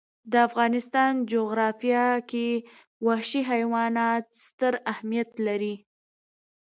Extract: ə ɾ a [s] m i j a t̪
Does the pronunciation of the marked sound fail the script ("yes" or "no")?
yes